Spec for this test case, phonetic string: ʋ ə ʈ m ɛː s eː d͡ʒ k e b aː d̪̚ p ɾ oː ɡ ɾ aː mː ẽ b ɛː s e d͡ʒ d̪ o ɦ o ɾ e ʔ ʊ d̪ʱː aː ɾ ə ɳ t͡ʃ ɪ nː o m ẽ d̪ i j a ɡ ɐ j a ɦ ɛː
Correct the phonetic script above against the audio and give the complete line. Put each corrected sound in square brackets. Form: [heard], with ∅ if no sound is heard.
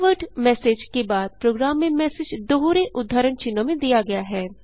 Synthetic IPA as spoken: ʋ ə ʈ m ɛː s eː d͡ʒ k e b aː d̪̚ p ɾ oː ɡ ɾ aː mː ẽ [m] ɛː s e d͡ʒ d̪ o ɦ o ɾ e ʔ ʊ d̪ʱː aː ɾ ə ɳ t͡ʃ ɪ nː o m ẽ d̪ i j a ɡ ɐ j a ɦ ɛː